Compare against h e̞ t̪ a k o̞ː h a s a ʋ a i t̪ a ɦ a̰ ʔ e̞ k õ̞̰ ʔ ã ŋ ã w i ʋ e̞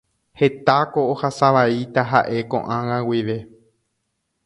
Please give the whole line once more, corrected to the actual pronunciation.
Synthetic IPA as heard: h e̞ t̪ a k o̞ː h a s a ʋ a i t̪ a ɦ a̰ ʔ e̞ k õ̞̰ ʔ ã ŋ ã w i ʋ e̞